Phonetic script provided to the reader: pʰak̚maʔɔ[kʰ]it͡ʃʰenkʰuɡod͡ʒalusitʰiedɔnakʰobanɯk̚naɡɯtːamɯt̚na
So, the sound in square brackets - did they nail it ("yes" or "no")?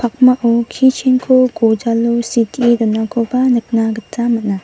yes